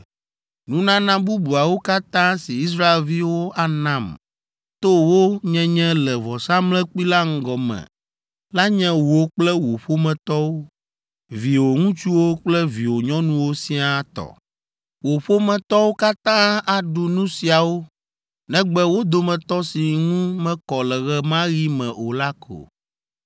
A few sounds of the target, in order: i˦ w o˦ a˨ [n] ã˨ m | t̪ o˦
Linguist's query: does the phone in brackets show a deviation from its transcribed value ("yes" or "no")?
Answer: no